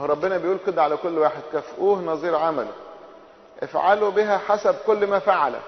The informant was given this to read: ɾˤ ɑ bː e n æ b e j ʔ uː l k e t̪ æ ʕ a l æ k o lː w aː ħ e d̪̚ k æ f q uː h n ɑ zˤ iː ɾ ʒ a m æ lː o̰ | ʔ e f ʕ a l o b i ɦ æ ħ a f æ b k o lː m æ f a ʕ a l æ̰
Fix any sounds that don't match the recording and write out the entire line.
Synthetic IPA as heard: ɾˤ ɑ bː e n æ b e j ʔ uː l k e d̪ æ ʕ a l æ k o lː w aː ħ e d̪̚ k æ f ʔ uː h n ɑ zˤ iː ɾ ʕ a m æ l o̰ | ʔ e f ʕ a l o b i ɦ æ ħ a s æ b k o lː m æ f a ʕ a l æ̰

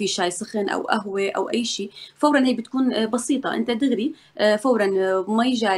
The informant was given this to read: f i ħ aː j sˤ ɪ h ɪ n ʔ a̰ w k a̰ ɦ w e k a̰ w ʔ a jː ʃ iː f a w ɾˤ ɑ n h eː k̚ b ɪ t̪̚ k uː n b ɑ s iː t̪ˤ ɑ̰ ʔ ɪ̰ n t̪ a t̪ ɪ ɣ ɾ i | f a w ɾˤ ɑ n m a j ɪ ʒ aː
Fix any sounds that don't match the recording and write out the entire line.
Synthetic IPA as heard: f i ʃ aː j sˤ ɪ x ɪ n ʔ a̰ w ʔ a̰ ɦ w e ʔ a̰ w ʔ a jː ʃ iː f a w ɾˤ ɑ n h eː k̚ b ɪ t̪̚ k uː n b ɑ s iː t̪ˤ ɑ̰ ʔ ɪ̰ n t̪ a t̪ ɪ ɣ ɾ i | f a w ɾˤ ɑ n m a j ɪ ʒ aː

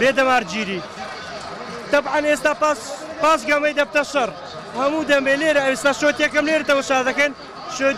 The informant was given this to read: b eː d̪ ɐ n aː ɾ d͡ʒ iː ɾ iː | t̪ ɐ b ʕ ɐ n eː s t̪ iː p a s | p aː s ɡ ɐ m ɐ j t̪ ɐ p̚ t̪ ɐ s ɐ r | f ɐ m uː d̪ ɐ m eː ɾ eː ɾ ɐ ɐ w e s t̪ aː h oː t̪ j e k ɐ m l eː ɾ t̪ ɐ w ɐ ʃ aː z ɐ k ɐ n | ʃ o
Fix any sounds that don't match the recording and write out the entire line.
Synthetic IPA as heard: b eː d̪ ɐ m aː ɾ d͡ʒ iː ɾ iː | t̪ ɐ b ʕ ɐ n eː s t̪ aː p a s | p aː s ɡ ɐ m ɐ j d̪ ɐ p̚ t̪ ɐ ʃ ɐ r | h ɐ m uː d̪ ɐ m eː l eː ɾ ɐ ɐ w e s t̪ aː ʃ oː t̪ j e k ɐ m l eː ɾ t̪ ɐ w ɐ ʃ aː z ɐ k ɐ n | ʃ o

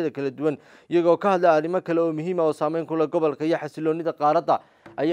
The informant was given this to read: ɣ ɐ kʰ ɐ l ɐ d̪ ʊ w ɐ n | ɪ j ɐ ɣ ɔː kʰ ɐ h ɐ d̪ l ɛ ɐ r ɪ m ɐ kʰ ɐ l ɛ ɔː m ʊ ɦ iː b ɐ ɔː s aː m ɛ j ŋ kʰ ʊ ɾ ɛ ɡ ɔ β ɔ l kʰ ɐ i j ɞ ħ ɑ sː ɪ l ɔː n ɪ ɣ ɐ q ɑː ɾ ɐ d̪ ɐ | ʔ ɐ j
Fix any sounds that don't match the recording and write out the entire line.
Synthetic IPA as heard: ð ɐ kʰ ɐ l ɐ d̪ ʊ w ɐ n | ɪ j ɐ ɣ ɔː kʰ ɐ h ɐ d̪ l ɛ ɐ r ɪ m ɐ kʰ ɐ l ɛ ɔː m ʊ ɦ iː m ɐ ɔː s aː m ɛ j ŋ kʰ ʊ l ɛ ɡ ɔ β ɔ l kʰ ɐ i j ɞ ħ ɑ s ɪ l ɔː n ɪ ð ɐ q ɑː ɾ ɐ d̪ ɐ | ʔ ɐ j

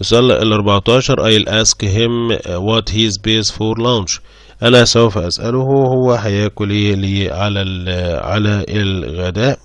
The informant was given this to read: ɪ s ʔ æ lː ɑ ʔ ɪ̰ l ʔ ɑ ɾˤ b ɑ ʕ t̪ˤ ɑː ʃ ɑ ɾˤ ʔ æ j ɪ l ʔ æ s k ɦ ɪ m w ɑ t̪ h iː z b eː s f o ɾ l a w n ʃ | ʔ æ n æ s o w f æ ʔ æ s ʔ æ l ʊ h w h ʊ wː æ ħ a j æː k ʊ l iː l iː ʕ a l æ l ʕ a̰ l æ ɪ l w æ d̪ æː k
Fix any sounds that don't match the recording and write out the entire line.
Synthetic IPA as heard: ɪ s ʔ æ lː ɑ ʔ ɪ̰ l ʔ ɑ ɾˤ b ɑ ʕ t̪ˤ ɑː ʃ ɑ ɾˤ ʔ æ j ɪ l ʔ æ s k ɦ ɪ m w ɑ t̪ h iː z b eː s f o ɾ l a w n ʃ | ʔ æ n æ s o w f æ ʔ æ s ʔ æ l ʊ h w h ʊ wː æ ħ a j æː k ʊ l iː l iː ʕ a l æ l ʕ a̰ l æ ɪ l ɣ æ d̪ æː ʔ

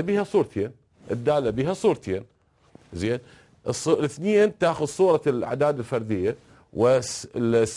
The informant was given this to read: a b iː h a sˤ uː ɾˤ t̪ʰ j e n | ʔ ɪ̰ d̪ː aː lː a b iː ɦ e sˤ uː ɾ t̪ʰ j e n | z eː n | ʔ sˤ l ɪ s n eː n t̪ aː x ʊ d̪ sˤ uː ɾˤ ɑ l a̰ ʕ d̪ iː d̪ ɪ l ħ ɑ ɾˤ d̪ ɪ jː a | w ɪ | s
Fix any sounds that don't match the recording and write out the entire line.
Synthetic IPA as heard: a b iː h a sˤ uː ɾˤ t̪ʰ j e n | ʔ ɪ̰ d̪ː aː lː a b iː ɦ a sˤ uː ɾ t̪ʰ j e n | z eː n | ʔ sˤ l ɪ θ n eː n t̪ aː x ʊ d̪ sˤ uː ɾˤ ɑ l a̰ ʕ d̪ aː d̪ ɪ l f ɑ ɾˤ d̪ ɪ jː a | w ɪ | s

